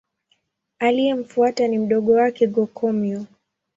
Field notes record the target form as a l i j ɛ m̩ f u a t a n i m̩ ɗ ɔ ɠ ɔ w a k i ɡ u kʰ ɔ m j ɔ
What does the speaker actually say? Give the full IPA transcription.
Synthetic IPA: a l i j ɛ m̩ f u a t a n i m̩ ɗ ɔ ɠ ɔ w a k ɛ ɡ ɔ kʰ ɔ m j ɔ

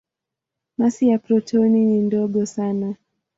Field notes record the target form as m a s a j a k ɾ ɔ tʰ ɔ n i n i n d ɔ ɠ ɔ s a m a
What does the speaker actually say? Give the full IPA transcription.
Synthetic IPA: m a s i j a p ɾ ɔ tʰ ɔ n i n i n d ɔ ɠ ɔ s a n a

